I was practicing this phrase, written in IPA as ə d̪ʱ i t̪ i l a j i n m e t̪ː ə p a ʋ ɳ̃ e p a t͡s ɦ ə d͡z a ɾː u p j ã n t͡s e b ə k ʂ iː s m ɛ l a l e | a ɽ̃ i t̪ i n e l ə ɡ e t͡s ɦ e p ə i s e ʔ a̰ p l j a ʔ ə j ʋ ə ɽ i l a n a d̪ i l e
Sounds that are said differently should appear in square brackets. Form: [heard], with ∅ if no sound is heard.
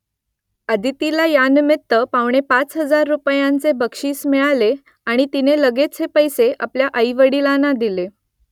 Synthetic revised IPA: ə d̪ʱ i t̪ i l a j [a] n m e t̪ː ə p a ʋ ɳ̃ e p a t͡s ɦ ə d͡z a ɾː u p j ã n t͡s e b ə k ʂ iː s m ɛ [ɭ] a l e | a ɽ̃ i t̪ i n e l ə ɡ e t͡s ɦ e p ə [j] s e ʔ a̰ p l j a ʔ ə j ʋ ə ɽ i l a n a d̪ i l e

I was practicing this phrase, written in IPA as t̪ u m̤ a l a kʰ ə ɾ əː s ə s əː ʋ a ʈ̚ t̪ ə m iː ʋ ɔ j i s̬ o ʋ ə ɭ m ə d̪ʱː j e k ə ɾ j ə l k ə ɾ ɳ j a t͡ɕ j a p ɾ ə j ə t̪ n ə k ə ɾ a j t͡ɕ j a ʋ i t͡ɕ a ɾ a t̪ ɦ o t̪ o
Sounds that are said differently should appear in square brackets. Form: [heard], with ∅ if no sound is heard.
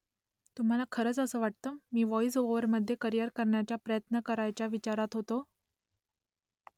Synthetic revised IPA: t̪ u m̤ a l a kʰ ə ɾ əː [t͡s] ə s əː ʋ a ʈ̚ t̪ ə m iː ʋ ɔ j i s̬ o ʋ ə [ɾ] m ə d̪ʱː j e k ə ɾ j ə [ɾ] k ə ɾ ɳ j a t͡ɕ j a p ɾ ə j ə t̪ n ə k ə ɾ a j t͡ɕ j a ʋ i t͡ɕ a ɾ a t̪ ɦ o t̪ o

